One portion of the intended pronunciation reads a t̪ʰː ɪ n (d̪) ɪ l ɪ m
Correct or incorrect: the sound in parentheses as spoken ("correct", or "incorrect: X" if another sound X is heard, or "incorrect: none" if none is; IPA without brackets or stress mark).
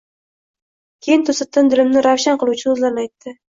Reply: correct